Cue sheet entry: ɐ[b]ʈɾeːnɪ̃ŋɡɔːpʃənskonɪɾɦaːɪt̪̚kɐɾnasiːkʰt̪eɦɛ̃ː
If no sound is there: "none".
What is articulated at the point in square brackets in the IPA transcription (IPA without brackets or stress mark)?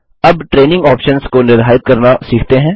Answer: b